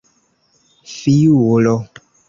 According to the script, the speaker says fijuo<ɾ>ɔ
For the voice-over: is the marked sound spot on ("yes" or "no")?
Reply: no